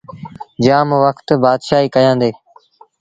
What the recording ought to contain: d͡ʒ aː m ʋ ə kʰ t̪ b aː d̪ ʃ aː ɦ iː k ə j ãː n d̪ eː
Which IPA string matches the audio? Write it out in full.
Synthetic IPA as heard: d͡ʒ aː m ʋ ə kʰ t̪ b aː d̪ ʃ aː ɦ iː k ə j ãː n d̪ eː

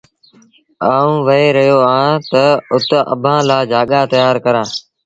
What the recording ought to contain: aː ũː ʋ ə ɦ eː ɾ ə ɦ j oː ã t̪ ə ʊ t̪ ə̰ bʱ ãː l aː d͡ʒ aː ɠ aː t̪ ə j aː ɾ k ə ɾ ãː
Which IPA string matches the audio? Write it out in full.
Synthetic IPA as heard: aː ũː ʋ ə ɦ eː ɾ ə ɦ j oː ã t̪ ə ʊ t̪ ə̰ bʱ ãː l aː d͡ʒ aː ɠ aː t̪ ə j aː ɾ k ə ɾ ãː

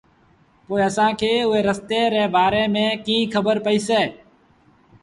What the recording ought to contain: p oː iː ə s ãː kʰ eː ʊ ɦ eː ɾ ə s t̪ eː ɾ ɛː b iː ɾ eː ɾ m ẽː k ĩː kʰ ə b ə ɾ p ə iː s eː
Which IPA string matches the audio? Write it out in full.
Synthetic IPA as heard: p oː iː ə s ãː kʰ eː ʊ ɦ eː ɾ ə s t̪ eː ɾ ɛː b aː ɾ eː m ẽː k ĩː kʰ ə b ə ɾ p ə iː s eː

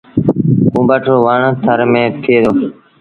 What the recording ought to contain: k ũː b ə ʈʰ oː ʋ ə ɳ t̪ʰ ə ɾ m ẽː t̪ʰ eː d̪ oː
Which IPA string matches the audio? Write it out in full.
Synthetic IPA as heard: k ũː b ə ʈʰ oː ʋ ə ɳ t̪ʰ ə ɾ m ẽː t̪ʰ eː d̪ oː

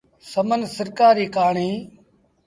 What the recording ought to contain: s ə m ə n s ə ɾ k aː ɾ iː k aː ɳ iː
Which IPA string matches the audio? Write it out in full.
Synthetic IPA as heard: s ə m ə n s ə ɾ k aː ɾ iː k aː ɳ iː

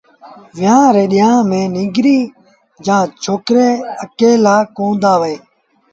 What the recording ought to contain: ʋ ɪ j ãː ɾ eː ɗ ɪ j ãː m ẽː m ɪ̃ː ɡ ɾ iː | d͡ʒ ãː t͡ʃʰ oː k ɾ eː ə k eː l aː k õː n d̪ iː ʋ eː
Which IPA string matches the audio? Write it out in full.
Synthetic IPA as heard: ʋ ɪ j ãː ɾ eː ɗ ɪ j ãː m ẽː n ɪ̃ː ɡ ɾ iː | d͡ʒ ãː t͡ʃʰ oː k ɾ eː ə k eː l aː k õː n d̪ aː ʋ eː

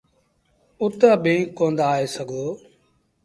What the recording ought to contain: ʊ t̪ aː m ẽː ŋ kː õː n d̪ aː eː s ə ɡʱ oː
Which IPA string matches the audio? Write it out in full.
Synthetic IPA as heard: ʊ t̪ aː b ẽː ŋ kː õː n d̪ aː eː s ə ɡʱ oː

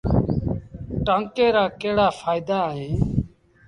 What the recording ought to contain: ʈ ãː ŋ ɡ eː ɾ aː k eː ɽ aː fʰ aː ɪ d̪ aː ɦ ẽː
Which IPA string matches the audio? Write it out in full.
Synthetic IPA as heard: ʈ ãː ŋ k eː ɾ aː k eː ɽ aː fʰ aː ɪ d̪ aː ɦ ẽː

